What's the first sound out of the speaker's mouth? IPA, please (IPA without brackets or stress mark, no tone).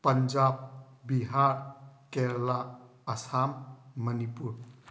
p